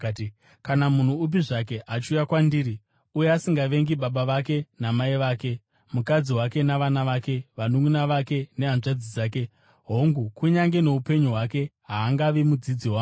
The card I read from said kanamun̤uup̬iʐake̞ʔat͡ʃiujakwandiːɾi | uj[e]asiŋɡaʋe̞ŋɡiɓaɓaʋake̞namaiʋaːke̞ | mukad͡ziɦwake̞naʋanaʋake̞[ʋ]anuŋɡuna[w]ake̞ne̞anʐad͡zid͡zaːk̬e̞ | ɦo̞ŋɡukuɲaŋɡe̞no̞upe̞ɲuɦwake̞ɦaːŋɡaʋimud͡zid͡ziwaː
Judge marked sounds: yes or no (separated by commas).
yes, yes, no